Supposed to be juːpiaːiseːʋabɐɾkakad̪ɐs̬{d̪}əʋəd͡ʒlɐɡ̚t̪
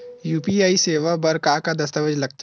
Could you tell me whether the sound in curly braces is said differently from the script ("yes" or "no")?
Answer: yes